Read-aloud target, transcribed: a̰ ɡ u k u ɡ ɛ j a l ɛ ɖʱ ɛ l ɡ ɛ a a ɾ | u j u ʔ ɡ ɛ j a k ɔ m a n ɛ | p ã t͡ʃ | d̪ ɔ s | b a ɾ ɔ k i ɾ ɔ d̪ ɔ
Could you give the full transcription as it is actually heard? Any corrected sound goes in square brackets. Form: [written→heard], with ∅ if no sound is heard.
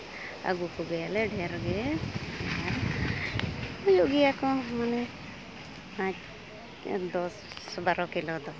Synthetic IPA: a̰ ɡ u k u ɡ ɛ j a l ɛ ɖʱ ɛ [l→ɾ] ɡ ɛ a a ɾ | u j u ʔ ɡ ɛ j a k ɔ m a n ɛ | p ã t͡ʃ | d̪ ɔ s | b a ɾ ɔ k i [ɾ→l] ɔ d̪ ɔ